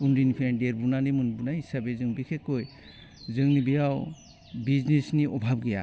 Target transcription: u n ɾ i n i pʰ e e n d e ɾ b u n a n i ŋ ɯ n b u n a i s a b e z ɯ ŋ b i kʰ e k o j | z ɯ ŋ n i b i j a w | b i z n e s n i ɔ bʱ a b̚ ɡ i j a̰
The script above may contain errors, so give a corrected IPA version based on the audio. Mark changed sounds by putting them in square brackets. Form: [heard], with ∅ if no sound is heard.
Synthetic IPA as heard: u n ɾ i n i pʰ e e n d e ɾ b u n a n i [m] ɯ n b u n a i s a b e z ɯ ŋ b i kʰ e k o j | z ɯ ŋ n i b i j a w | b i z n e s n i ɔ bʱ a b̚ ɡ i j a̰